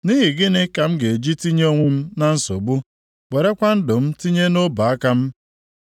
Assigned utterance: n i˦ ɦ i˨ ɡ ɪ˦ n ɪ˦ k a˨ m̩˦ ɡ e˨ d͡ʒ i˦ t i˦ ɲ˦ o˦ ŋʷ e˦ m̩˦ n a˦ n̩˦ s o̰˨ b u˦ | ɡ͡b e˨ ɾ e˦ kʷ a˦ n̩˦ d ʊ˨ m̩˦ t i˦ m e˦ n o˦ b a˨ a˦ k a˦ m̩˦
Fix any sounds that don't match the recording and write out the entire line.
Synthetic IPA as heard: n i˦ ɦ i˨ ɡ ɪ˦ n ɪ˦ k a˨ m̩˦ ɡ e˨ d͡ʒ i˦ t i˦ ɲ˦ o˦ ŋʷ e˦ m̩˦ n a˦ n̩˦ s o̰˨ b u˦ | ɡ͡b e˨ ɾ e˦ kʷ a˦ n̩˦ d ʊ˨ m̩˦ t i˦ ɲ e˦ n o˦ b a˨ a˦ k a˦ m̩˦